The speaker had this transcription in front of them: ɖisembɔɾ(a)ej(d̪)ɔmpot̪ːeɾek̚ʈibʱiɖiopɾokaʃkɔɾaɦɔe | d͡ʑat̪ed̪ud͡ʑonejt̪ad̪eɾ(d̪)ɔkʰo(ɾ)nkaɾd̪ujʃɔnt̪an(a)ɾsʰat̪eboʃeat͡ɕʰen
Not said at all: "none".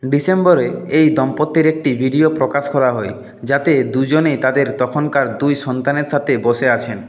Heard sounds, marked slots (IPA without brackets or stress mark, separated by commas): e, d̪, t̪, none, e